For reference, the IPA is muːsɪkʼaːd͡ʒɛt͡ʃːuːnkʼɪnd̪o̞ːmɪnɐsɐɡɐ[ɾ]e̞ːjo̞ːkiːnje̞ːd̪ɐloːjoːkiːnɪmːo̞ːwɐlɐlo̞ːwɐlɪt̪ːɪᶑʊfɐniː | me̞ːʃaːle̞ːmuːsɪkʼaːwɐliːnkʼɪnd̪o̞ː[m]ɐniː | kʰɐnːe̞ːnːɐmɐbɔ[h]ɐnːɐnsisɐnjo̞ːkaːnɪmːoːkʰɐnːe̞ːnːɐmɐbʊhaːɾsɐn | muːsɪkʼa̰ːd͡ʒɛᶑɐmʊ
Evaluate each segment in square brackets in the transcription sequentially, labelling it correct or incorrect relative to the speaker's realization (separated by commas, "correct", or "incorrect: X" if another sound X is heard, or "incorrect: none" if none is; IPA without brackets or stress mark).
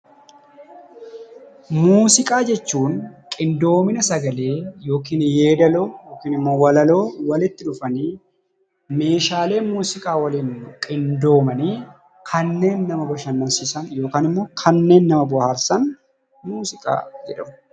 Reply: incorrect: l, correct, incorrect: ʃ